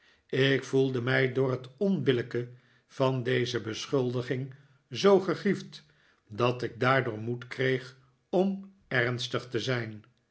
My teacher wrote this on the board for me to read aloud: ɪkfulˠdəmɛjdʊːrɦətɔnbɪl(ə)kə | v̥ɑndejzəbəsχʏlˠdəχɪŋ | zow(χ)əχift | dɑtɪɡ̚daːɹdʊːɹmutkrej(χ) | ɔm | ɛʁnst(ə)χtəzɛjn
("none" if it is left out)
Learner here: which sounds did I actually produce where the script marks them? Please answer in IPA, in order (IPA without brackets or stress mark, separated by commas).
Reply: ə, χ, χ, ə